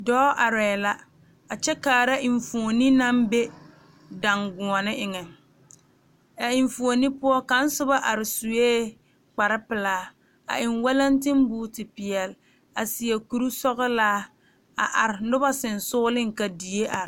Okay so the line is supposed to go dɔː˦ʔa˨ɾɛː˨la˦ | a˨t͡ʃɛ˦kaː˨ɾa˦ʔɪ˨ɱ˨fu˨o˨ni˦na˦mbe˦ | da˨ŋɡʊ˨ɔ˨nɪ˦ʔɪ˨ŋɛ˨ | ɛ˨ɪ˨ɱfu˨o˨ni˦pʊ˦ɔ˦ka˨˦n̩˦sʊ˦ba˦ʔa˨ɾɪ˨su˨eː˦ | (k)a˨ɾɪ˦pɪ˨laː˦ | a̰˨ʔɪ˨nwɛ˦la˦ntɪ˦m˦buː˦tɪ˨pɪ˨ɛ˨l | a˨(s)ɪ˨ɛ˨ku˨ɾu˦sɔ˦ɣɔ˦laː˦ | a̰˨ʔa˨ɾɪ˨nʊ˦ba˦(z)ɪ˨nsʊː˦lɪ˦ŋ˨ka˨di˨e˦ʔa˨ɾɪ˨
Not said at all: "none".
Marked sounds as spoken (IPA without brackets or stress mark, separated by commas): k͡p, s, s